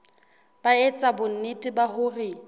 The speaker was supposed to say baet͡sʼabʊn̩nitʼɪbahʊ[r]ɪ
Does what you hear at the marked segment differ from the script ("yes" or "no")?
no